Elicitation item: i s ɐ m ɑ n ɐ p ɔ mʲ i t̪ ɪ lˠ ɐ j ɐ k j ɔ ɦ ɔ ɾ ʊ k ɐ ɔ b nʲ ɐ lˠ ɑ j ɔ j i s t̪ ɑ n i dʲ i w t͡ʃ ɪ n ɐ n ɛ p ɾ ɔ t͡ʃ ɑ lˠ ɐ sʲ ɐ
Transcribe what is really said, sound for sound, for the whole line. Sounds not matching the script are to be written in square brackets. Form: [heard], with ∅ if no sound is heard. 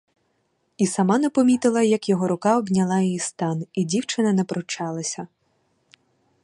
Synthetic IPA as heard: i s ɐ m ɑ n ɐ p ɔ mʲ i t̪ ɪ lˠ ɐ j ɐ k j ɔ ɦ ɔ ɾ ʊ k [ɑ] ɔ b nʲ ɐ lˠ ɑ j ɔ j i s t̪ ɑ n i dʲ i w t͡ʃ ɪ n ɐ n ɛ p ɾ ɔ t͡ʃ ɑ lˠ ɐ sʲ ɐ